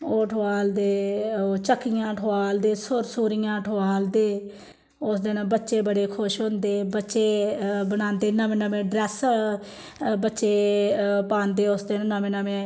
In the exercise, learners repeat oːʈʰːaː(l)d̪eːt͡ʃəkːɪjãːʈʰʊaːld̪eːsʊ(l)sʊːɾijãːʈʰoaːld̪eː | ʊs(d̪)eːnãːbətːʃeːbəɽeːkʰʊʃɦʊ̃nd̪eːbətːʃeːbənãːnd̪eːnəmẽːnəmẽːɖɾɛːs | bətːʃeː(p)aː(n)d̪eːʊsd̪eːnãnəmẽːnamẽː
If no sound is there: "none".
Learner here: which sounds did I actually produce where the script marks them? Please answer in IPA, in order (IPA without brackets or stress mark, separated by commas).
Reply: l, ɾ, d̪, p, n